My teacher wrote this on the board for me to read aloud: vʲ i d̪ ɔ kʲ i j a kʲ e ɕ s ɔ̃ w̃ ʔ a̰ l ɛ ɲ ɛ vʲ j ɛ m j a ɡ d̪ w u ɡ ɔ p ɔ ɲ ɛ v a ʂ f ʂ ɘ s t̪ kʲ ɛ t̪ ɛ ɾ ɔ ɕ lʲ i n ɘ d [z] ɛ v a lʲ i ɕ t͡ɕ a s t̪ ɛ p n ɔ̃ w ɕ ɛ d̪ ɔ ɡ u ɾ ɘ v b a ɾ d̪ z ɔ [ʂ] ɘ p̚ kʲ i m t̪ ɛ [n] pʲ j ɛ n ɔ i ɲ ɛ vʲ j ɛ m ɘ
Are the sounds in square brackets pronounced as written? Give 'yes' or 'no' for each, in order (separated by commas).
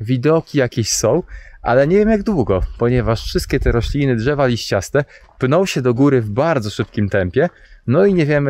no, yes, no